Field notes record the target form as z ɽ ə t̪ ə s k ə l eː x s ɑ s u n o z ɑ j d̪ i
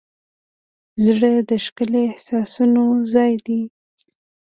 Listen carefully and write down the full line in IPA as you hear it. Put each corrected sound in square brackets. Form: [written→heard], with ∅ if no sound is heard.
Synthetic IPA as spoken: z ɽ ə [t̪→d̪] ə [s→ʃ] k ə l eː [x→h] s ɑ s u n o z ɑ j d̪ i